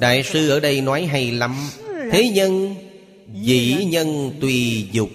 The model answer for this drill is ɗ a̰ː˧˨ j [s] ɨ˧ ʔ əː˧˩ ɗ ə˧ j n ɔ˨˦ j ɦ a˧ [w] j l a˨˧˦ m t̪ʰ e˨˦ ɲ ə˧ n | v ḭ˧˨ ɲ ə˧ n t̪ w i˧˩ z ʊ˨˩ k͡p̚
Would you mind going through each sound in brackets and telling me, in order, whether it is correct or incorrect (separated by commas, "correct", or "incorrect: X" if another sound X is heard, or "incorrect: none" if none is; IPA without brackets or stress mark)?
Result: correct, incorrect: none